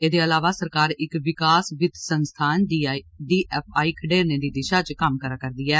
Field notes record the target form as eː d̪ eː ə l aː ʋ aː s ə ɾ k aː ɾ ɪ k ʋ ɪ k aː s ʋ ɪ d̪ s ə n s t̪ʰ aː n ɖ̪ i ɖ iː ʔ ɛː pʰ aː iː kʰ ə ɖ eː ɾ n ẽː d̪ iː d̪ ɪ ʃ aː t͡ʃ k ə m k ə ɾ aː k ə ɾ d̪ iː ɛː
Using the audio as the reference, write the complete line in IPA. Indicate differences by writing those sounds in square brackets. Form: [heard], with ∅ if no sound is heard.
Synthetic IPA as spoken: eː d̪ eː ə l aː ʋ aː s ə ɾ k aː ɾ ɪ k ʋ ɪ k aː s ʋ ɪ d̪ s ə n s t̪ʰ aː n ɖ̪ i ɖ iː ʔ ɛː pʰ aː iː kʰ ə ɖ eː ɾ n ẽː d̪ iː d̪ ɪ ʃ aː t͡ʃ k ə m k ə ɾ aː k ə ɾ d̪ iː ɛː